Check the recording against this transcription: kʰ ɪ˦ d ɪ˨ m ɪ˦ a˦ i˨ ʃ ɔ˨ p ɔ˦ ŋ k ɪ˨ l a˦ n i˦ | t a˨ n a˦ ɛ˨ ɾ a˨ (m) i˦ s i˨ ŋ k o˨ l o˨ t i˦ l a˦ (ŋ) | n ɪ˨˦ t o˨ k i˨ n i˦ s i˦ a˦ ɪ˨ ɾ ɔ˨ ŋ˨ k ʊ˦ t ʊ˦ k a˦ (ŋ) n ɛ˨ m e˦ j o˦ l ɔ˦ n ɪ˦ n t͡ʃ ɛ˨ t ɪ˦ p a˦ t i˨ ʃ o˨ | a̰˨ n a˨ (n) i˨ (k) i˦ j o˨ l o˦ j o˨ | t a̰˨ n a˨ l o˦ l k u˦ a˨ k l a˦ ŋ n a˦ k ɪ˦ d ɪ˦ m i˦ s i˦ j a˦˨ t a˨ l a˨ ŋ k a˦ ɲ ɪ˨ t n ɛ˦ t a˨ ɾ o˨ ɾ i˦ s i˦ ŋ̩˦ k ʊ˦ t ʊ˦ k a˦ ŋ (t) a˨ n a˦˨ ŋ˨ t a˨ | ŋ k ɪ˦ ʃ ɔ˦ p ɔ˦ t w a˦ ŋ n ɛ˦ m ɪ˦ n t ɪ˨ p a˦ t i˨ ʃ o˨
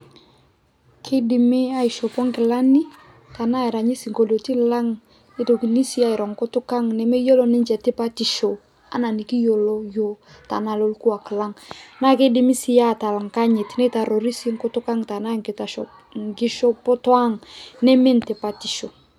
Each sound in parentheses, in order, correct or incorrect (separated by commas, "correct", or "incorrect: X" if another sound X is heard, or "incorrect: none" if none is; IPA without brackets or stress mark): incorrect: ɲ, correct, correct, correct, correct, correct